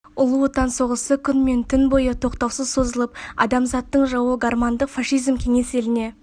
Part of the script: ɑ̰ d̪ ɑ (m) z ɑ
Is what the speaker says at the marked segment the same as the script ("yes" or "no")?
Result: yes